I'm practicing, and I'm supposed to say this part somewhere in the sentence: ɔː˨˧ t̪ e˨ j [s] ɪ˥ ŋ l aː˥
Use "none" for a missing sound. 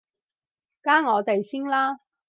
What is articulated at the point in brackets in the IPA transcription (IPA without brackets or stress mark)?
s